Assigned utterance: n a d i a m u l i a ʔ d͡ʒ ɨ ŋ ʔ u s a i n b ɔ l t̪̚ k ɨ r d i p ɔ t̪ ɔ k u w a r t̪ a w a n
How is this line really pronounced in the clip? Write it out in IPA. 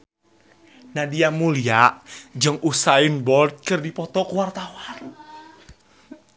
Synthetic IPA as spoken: n a d i a m u l i a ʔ d͡ʒ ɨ ŋ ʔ u s a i n b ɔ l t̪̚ k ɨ r d i p ɔ t̪ ɔ k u w a r t̪ a w a n